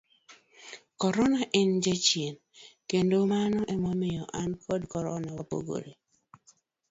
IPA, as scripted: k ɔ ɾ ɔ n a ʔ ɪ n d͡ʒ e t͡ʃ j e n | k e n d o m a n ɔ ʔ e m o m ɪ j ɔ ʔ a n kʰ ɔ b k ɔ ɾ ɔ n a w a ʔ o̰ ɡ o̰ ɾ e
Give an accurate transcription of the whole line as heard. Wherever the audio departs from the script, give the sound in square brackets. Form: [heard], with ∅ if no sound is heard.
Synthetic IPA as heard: k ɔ ɾ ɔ n a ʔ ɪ n d͡ʒ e t͡ʃ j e n | k e n d o m a n ɔ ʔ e m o m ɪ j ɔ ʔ a n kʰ ɔ [d] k ɔ ɾ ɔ n a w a [p] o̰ ɡ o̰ ɾ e

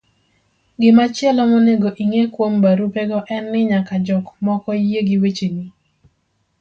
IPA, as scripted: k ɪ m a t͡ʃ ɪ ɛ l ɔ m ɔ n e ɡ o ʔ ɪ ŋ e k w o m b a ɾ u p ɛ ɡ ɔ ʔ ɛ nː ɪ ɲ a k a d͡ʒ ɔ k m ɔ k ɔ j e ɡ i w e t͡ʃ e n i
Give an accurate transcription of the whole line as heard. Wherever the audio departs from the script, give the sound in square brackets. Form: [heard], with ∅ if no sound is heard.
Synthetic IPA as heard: [ɡ] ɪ m a t͡ʃ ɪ ɛ l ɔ m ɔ n e ɡ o ʔ [i] ŋ e k w o m b a ɾ u p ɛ ɡ ɔ ʔ ɛ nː ɪ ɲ a k a d͡ʒ ɔ k m ɔ k ɔ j e ɡ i w e t͡ʃ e n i

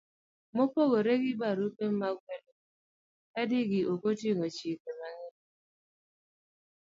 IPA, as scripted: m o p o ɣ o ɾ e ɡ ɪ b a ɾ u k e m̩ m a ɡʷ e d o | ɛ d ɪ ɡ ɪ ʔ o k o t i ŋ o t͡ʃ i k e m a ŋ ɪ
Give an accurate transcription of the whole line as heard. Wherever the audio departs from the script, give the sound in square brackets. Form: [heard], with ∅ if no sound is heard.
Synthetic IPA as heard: m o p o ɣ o ɾ e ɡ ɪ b a ɾ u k e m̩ m a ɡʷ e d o | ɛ d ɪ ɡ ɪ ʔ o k o t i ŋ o t͡ʃ i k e m a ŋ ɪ

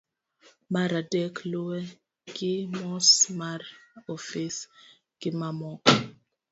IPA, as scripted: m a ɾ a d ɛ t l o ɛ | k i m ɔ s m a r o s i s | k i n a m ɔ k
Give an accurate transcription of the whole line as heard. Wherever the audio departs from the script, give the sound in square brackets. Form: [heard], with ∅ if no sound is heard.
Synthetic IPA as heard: m a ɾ a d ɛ [k] l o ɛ | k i m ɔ s m a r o [f] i s | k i [m] a m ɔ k

